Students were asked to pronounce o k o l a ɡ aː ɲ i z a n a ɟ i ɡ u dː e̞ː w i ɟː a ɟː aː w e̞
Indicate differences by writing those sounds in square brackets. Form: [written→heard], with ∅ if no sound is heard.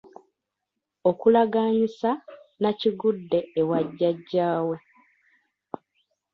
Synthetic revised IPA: o k [o→u] l a ɡ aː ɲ i [z→s] a n a [ɟ→c] i ɡ u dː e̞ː w [i→a] ɟː a ɟː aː w e̞